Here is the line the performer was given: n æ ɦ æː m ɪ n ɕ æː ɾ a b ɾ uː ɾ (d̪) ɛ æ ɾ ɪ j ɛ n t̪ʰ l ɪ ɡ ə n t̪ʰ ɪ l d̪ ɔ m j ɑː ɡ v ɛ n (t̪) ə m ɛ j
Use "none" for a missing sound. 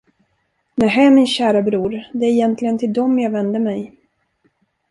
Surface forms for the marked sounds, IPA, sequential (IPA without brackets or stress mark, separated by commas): d̪, d̪